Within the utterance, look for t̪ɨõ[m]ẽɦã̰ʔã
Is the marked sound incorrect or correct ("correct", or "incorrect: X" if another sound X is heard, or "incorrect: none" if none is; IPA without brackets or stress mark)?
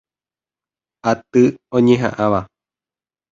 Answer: incorrect: ɲ